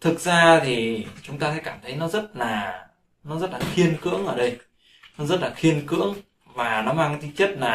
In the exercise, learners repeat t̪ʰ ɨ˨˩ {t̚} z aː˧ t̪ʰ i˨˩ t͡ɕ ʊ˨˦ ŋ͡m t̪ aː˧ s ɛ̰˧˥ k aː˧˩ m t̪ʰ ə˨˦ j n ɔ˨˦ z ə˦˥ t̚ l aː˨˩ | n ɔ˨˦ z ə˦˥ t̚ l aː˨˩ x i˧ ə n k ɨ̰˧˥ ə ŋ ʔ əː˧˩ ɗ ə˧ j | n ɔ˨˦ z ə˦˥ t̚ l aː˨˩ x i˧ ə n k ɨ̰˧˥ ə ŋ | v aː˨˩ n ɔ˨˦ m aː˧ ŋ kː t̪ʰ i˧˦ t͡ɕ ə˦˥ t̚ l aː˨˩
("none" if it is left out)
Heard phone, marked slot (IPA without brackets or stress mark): k̚